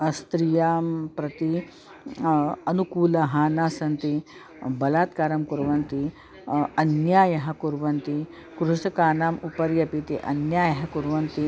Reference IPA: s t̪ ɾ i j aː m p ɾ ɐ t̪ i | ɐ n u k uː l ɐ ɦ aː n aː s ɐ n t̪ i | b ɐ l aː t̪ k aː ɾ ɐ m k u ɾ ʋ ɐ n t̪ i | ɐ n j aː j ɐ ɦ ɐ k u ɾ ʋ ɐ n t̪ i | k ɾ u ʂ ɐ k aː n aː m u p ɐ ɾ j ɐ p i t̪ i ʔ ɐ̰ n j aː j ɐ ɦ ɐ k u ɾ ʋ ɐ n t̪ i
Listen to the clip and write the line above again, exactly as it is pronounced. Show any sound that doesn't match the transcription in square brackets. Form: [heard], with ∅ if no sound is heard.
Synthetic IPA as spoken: s t̪ ɾ i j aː m p ɾ ɐ t̪ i | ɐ n u k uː l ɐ ɦ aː n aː s ɐ n t̪ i | b ɐ l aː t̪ k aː ɾ ɐ m k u ɾ ʋ ɐ n t̪ i | ɐ n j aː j ɐ ɦ ɐ k u ɾ ʋ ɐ n t̪ i | k ɾ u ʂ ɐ k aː n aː m u p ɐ ɾ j ɐ p i t̪ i ʔ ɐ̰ n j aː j ɐ ɦ ɐ k u ɾ ʋ ɐ n t̪ i